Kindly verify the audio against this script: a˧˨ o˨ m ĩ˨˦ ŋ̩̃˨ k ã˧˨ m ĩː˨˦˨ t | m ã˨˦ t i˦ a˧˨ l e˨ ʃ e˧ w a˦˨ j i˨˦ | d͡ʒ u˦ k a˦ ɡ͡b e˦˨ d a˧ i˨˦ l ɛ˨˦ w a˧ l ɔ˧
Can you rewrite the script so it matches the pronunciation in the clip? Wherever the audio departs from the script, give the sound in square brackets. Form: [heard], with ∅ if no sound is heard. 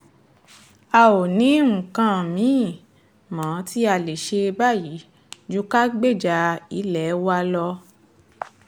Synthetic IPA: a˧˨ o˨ [n] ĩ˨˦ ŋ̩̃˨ k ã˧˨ m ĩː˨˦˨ [∅] | m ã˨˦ t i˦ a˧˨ l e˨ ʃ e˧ [b] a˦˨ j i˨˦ | d͡ʒ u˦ k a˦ ɡ͡b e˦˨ [d͡ʒ] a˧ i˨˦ l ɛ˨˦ w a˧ l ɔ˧